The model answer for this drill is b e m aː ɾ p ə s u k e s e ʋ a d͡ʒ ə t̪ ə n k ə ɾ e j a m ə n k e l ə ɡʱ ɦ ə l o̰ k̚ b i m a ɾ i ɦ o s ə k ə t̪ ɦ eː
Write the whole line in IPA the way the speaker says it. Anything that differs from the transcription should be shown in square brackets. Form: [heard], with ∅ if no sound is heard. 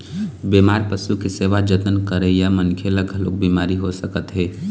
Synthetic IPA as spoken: b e m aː ɾ p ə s u k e s e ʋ a d͡ʒ ə t̪ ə n k ə ɾ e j a m ə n [kʰ] e l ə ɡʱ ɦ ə l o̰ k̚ b i m a ɾ i ɦ o s ə k ə t̪ ɦ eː